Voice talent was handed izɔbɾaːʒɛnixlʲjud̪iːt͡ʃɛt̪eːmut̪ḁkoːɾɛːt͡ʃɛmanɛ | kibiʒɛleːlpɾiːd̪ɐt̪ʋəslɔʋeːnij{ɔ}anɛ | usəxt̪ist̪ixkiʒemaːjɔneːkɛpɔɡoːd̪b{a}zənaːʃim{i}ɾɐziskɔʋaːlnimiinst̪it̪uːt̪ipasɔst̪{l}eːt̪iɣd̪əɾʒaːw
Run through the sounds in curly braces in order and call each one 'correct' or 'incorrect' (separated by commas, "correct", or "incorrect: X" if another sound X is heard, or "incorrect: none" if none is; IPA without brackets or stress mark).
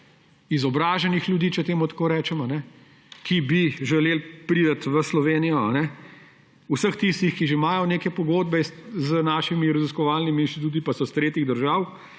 correct, incorrect: ɛ, correct, incorrect: ɾ